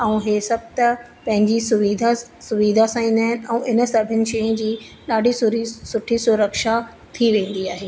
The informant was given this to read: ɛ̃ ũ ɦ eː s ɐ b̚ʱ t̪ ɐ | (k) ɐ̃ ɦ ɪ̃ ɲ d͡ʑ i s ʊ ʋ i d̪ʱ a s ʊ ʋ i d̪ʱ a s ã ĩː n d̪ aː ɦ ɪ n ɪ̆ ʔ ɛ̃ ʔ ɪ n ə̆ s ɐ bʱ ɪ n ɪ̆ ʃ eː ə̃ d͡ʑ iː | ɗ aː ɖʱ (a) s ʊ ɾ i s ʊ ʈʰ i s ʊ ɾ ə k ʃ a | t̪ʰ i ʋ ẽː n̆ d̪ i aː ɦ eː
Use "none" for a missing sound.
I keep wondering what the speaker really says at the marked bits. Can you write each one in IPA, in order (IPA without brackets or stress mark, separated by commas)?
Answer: p, i